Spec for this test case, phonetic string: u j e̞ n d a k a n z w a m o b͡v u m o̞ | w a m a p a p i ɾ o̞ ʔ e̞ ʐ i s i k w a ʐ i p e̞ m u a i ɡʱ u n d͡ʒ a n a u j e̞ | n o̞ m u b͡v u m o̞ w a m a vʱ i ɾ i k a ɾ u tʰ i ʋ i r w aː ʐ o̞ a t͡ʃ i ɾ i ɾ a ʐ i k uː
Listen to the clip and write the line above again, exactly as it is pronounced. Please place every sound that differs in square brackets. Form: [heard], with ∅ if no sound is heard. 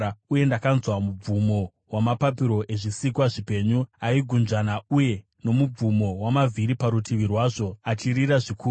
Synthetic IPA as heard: u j e̞ n d a k a n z w a m [u] b͡v u m o̞ | w a m a p a p i ɾ o̞ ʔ e̞ ʐ i s i k w a ʐ i p e̞ [ɲ] u a i ɡʱ u n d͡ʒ a n a u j e̞ | n o̞ m u b͡v u m o̞ w a m a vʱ i ɾ i [p] a ɾ u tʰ i ʋ i r w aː ʐ o̞ a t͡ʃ i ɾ i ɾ a ʐ i k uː